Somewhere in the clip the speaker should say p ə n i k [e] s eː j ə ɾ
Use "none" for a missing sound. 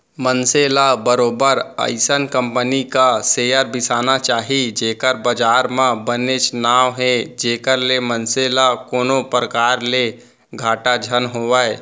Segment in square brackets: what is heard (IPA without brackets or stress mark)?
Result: a